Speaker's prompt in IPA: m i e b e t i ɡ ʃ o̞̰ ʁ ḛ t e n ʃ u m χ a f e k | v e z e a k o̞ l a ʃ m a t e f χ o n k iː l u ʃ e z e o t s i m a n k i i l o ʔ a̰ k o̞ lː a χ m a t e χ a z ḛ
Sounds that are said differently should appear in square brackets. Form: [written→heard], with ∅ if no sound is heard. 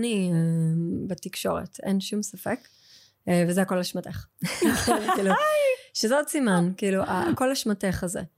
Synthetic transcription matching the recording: [m→n] i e b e t i [ɡ→k] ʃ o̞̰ ʁ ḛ t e n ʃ u m [χ→s] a f e k | v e z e a k o̞ l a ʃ m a t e [f→χ] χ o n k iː l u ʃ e z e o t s i m a n k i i l [o→u] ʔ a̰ k o̞ [lː→l] a [χ→ʃ] m a t e χ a z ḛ